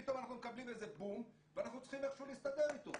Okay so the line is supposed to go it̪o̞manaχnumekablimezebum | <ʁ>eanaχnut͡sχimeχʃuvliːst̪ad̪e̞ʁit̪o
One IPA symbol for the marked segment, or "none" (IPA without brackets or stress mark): v